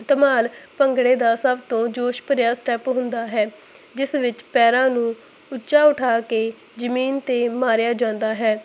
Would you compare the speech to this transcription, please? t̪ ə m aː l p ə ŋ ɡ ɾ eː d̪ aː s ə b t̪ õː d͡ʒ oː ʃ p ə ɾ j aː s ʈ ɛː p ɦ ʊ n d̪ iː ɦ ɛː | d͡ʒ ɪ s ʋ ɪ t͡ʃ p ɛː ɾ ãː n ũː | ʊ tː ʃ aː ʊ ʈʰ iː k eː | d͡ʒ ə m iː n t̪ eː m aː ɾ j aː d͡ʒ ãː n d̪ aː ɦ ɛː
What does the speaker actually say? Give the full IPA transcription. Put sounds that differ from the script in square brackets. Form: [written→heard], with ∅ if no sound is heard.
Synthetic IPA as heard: t̪ ə m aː l p ə ŋ ɡ [ɾ→ɽ] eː d̪ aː s ə b t̪ õː d͡ʒ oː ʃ p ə ɾ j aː s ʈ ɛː p ɦ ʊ n d̪ [iː→aː] ɦ ɛː | d͡ʒ ɪ s ʋ ɪ t͡ʃ p ɛː ɾ ãː n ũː | ʊ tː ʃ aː ʊ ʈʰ [iː→aː] k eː | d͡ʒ ə m iː n t̪ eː m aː ɾ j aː d͡ʒ ãː n d̪ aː ɦ ɛː